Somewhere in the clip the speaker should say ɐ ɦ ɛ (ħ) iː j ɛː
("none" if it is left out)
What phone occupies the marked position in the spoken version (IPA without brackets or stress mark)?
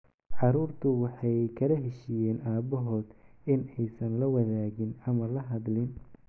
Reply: ʃ